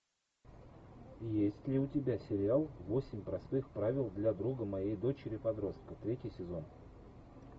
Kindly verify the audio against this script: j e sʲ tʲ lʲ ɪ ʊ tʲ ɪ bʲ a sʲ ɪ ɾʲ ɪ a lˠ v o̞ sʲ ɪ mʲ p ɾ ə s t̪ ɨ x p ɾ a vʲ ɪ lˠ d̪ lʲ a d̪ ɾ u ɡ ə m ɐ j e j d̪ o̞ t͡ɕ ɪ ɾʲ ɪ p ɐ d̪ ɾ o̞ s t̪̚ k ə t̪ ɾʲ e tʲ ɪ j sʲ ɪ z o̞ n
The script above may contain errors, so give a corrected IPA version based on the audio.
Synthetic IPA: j e sʲ tʲ lʲ ɪ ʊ tʲ ɪ bʲ a sʲ ɪ ɾʲ ɪ a lˠ v o̞ sʲ ɪ mʲ p ɾ ɐ s t̪ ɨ x p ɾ a vʲ ɪ lˠ d̪ lʲ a d̪ ɾ u ɡ ə m ɐ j e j d̪ o̞ t͡ɕ ɪ ɾʲ ɪ p ɐ d̪ ɾ o̞ s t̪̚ k ə t̪ ɾʲ e tʲ ɪ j sʲ ɪ z o̞ n